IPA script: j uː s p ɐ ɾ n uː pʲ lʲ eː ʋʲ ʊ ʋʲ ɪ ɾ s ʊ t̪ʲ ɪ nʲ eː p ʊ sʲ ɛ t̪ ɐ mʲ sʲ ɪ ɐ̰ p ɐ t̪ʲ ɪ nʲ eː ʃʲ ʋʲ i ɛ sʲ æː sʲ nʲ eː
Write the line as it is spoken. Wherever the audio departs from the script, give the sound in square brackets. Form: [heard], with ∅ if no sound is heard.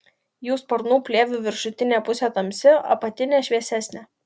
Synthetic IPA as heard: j uː s p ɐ ɾ n uː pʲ lʲ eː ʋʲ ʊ ʋʲ ɪ ɾ [ʃ] ʊ t̪ʲ ɪ nʲ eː p ʊ sʲ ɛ t̪ ɐ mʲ sʲ ɪ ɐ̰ p ɐ t̪ʲ ɪ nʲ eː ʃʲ ʋʲ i ɛ sʲ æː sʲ nʲ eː